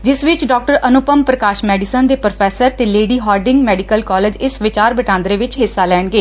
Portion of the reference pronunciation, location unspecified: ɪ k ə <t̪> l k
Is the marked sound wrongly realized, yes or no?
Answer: yes